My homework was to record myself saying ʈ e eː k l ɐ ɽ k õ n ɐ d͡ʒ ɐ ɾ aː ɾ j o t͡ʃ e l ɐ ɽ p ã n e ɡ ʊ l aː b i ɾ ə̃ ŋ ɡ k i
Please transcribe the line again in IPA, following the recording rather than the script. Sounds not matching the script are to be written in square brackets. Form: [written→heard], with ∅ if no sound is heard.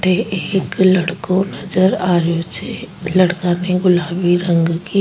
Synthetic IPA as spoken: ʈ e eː k l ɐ ɽ k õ n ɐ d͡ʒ [ɐ→ə] ɾ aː ɾ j o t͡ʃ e l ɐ ɽ [p→k] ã n e ɡ ʊ l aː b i ɾ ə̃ ŋ ɡ k i